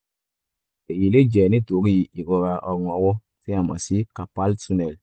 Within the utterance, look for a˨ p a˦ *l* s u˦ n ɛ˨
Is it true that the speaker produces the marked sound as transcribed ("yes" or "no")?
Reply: yes